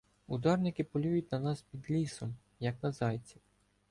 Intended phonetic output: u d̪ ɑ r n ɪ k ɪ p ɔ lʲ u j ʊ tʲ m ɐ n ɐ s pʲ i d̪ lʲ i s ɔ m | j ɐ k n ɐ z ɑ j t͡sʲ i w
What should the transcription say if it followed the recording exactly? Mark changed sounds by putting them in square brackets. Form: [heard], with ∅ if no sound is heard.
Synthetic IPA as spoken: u d̪ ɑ r n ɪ k ɪ p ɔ lʲ u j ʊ tʲ [n] ɐ n [ɑ] s pʲ i d̪ lʲ i s ɔ m | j ɐ k n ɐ z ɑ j t͡sʲ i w